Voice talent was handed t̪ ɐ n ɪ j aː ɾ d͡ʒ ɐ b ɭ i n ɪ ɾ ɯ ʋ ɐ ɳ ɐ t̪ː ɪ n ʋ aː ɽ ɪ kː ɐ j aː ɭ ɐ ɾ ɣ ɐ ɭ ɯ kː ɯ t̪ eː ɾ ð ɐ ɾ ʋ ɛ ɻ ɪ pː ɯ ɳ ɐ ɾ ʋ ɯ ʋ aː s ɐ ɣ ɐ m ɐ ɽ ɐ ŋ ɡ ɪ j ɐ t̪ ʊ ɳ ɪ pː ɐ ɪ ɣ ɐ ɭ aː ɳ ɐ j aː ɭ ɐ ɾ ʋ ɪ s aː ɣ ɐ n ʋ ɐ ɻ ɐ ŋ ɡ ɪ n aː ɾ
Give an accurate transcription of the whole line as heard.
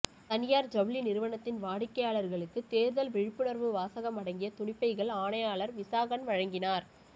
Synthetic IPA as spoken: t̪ ɐ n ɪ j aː ɾ d͡ʒ ɐ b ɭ i n ɪ ɾ ɯ ʋ ɐ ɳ ɐ t̪ː ɪ n ʋ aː ɽ ɪ kː ɐ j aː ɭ ɐ ɾ ɣ ɐ ɭ ɯ kː ɯ t̪ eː ɾ ð ɐ l ʋ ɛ ɻ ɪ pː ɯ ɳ ɐ ɾ ʋ ɯ ʋ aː s ɐ ɣ ɐ m ɐ ɽ ɐ ŋ ɡ ɪ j ɐ t̪ ʊ ɳ ɪ pː ɐ ɪ ɣ ɐ ɭ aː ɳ ɐ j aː ɭ ɐ ɾ ʋ ɪ s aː ɣ ɐ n ʋ ɐ ɻ ɐ ŋ ɡ ɪ n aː ɾ